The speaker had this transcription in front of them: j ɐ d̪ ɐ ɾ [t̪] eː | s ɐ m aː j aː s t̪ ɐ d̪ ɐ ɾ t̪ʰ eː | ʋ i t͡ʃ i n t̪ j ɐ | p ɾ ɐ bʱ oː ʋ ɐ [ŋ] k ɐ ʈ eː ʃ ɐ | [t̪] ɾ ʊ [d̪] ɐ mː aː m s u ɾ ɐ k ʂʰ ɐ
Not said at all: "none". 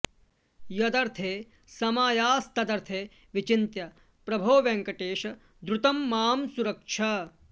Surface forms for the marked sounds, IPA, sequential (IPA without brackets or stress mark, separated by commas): t̪ʰ, ŋ, d̪, t̪